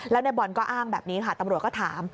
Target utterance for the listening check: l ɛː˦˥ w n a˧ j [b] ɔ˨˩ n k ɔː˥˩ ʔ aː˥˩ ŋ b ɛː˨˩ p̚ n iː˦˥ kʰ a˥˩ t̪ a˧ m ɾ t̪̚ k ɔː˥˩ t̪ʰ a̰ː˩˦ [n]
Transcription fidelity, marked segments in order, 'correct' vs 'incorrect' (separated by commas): correct, incorrect